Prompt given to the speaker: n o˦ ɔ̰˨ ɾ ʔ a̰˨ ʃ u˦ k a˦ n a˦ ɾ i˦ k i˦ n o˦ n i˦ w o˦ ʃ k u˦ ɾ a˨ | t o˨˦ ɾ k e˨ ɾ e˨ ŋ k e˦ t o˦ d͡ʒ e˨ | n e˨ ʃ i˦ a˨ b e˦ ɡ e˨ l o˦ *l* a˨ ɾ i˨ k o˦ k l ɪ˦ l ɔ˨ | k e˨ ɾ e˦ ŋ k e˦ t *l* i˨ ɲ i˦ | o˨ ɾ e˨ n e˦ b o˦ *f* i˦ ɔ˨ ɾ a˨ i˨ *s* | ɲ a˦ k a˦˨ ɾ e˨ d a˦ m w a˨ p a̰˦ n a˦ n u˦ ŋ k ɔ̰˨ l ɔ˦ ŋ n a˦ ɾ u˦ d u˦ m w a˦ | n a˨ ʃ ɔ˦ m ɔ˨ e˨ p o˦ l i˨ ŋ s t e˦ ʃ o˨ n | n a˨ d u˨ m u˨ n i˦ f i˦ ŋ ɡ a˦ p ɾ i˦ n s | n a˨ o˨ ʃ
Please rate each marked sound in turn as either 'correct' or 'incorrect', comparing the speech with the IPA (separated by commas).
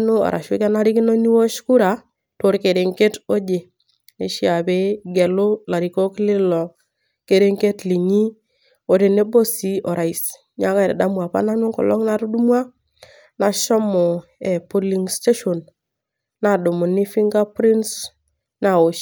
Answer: correct, correct, incorrect, correct